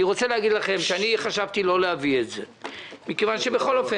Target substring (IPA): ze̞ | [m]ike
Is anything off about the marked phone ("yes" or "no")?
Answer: no